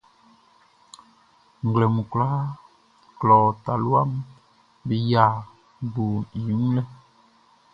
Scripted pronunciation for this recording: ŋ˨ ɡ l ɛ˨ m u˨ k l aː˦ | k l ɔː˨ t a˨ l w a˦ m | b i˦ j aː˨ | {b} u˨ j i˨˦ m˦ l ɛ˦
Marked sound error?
no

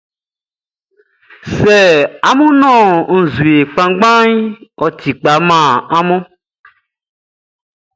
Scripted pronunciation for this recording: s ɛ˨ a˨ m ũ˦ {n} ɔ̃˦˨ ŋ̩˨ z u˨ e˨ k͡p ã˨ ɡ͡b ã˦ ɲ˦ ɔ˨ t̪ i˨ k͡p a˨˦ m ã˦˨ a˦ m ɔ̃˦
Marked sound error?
no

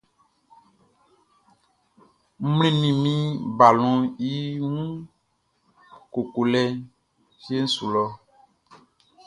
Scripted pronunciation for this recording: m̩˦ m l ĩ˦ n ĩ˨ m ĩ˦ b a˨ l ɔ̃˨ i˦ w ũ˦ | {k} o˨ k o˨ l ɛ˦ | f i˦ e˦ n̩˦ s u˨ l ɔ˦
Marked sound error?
no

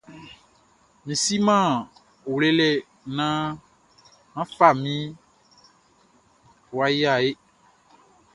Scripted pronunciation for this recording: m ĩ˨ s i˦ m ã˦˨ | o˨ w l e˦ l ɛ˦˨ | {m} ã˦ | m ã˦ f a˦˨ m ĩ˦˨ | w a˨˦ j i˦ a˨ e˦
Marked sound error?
yes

